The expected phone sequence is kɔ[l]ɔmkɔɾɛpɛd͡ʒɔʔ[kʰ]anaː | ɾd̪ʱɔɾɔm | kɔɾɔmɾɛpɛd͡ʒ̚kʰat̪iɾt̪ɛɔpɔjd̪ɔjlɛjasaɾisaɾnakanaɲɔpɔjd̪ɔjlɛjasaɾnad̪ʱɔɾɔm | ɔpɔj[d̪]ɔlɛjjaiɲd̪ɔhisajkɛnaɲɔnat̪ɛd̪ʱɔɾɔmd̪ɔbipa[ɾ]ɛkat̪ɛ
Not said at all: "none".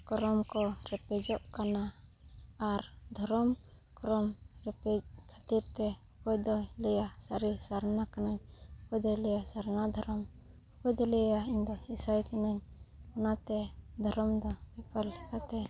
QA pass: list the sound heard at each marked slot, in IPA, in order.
ɾ, k, d̪, l

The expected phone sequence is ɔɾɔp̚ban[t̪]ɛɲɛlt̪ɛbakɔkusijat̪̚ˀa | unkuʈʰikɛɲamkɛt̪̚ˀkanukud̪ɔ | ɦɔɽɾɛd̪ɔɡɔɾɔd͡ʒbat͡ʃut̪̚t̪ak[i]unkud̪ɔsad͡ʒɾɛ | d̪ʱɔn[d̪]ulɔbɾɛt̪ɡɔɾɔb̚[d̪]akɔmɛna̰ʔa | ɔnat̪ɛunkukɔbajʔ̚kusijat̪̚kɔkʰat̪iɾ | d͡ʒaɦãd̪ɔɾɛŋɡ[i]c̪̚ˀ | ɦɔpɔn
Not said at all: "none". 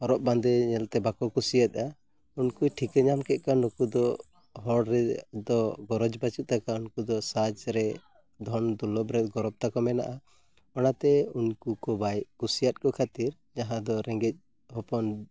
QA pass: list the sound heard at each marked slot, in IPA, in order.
d̪, a, d̪, t̪, ɛ

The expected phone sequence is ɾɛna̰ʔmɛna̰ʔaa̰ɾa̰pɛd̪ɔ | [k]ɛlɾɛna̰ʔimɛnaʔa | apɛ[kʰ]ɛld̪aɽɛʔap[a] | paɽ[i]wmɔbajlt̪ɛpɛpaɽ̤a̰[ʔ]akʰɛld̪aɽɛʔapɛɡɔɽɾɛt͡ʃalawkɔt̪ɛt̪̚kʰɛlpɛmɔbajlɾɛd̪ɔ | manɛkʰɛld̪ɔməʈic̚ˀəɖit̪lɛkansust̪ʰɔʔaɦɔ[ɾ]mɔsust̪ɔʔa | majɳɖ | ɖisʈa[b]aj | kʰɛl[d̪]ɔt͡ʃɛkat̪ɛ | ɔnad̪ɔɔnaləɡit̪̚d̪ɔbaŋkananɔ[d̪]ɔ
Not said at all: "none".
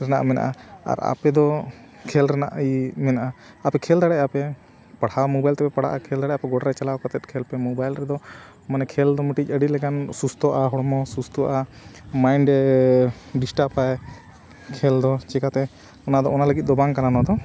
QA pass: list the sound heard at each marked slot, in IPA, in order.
kʰ, kʰ, ɛ, a, ʔ, ɽ, p, d̪, d̪

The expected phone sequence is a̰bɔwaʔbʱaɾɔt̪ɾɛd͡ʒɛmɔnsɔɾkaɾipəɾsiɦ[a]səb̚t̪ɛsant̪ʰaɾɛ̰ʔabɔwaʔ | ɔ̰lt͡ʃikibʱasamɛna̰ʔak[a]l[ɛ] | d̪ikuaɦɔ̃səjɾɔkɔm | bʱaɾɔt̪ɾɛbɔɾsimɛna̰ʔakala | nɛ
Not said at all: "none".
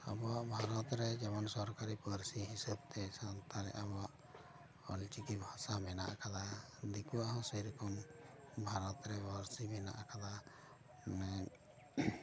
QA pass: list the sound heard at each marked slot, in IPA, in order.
i, a, a

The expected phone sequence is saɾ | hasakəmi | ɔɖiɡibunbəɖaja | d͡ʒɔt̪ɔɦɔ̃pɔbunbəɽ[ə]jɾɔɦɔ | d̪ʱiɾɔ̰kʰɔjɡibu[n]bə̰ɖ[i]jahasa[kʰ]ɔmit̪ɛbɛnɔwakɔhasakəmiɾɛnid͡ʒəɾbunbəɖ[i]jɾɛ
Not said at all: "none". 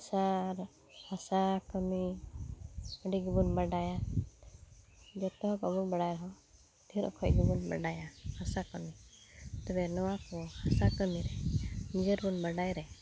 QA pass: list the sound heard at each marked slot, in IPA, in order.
a, n, a, k, a

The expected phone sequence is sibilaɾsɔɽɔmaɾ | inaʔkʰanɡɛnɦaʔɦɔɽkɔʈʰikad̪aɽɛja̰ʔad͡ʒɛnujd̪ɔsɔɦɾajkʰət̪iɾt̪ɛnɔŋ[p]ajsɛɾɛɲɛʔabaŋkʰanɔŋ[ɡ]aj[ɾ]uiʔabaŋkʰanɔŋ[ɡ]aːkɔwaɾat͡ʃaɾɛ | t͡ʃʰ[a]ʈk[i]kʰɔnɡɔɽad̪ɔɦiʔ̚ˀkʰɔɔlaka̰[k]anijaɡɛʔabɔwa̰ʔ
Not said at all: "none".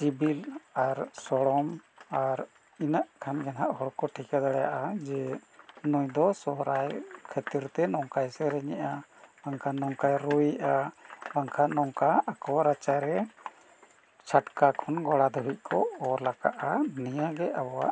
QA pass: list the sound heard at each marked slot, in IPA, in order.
k, k, ɾ, k, a, a, ʔ

